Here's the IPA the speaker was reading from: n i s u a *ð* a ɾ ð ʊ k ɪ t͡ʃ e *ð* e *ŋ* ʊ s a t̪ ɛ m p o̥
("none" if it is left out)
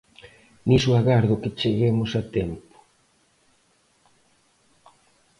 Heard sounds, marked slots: ɣ, ɣ, m

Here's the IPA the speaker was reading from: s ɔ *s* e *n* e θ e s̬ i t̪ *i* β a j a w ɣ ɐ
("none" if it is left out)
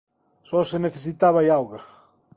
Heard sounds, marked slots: s, n, a

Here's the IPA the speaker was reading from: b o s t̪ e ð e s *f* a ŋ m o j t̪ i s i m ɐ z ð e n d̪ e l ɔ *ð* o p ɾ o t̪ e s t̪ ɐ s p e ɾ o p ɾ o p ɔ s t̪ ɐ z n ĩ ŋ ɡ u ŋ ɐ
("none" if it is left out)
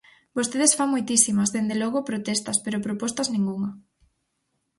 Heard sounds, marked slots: f, ɣ

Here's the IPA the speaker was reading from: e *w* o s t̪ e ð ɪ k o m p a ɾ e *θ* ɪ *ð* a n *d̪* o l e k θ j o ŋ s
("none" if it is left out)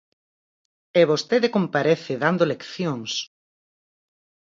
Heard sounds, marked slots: β, θ, ð, d̪

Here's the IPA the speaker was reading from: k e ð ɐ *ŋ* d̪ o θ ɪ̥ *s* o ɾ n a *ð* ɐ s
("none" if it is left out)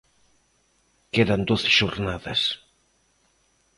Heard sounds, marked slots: n, ʃ, ð

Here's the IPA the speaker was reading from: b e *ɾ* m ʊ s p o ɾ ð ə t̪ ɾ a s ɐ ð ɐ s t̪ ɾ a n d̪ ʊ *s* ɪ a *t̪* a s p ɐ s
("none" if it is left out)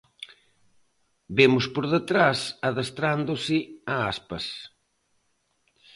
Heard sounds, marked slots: none, s, none

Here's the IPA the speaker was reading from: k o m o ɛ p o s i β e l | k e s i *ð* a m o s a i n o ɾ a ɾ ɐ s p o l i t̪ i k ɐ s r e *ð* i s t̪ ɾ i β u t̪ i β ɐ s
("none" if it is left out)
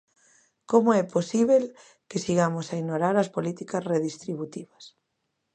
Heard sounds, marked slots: ɣ, ð

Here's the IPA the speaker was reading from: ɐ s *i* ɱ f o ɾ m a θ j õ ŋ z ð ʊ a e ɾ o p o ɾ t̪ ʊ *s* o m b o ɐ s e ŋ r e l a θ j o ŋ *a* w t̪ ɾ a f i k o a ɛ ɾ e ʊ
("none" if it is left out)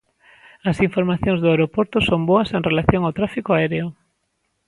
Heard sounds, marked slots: i, s, a

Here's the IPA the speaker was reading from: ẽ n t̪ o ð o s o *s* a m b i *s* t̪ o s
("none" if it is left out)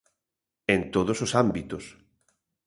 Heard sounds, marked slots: s, none

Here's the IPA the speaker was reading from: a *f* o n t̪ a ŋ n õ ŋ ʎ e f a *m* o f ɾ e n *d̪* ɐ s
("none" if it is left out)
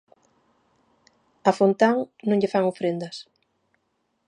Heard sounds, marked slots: f, ŋ, d̪

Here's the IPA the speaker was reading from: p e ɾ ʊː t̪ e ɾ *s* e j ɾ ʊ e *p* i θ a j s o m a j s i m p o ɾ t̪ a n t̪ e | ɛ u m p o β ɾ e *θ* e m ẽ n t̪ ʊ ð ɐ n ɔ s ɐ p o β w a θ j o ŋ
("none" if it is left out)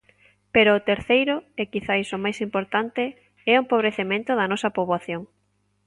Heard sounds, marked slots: θ, k, θ

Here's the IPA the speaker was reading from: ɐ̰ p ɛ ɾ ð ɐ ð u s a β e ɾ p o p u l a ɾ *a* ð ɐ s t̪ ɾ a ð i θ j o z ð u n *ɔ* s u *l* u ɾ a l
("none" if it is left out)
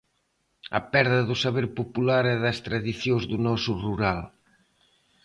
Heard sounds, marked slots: ɛ, ɔ, r

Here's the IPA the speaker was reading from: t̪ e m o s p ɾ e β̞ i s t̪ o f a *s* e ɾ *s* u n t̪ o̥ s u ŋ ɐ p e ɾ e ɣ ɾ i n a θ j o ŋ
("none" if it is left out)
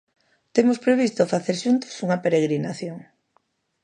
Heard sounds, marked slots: θ, ʃ

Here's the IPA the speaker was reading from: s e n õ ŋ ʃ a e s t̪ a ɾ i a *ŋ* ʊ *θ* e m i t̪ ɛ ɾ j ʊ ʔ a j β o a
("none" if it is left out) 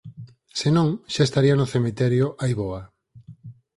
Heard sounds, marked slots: n, θ

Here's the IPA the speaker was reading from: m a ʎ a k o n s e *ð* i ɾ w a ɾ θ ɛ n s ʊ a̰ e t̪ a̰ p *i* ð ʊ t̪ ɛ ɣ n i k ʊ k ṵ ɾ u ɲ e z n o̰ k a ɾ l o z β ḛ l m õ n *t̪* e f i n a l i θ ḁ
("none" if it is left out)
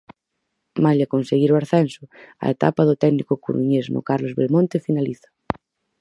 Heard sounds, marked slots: ɣ, a, t̪

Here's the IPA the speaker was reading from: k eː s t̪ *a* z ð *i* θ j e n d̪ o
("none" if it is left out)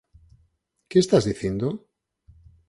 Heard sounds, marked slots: a, i

